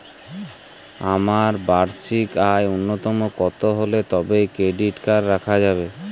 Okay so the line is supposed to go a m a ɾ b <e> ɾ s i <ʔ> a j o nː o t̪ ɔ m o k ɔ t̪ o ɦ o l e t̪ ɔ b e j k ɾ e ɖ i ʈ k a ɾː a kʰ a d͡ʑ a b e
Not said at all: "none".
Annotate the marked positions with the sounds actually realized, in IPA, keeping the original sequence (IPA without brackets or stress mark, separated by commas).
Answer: a, k